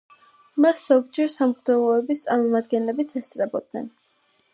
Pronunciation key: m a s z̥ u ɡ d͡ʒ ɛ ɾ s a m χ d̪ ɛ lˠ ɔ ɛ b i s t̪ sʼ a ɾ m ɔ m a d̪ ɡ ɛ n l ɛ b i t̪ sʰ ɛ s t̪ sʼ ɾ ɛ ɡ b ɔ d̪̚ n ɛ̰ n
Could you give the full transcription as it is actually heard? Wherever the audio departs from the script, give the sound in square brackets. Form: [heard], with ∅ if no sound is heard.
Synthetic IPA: m a s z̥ [ɔ] ɡ d͡ʒ ɛ ɾ s a m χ d̪ ɛ lˠ ɔ ɛ b i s t̪ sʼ a ɾ m ɔ m a d̪ ɡ ɛ n l ɛ b i t̪ sʰ ɛ s t̪ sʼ ɾ ɛ [∅] b ɔ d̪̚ n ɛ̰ n